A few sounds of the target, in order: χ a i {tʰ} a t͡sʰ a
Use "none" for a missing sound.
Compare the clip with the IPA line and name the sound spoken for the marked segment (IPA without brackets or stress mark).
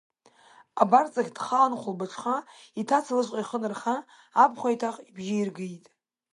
tʰ